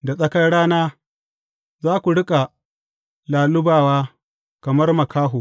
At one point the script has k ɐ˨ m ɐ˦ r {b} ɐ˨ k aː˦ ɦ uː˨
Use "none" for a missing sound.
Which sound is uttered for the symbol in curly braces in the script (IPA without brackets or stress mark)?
m